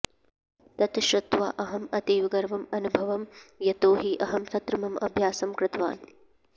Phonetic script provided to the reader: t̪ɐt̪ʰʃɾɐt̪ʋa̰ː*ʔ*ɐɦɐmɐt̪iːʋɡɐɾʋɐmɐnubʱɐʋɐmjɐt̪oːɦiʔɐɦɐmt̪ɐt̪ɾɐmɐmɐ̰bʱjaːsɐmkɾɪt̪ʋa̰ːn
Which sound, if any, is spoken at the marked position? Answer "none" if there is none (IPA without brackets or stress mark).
ʔ